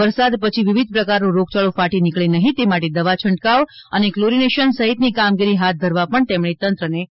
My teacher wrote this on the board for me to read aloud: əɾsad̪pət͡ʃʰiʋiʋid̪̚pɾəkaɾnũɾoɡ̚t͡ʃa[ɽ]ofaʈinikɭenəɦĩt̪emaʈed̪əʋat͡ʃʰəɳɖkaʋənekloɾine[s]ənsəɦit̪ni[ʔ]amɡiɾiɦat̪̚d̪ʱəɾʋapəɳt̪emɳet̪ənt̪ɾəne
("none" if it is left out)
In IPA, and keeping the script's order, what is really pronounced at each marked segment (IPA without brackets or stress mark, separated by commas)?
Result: ɭ, ʃ, k